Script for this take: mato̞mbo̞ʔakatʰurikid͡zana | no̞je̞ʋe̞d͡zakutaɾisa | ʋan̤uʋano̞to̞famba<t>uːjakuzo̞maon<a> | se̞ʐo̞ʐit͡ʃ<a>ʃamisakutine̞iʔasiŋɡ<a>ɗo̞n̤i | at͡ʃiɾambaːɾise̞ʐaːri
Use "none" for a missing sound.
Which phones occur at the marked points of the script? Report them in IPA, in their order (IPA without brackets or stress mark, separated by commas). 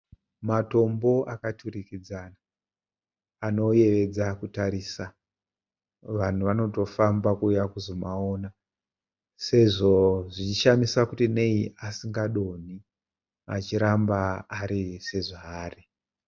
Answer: k, a, i, a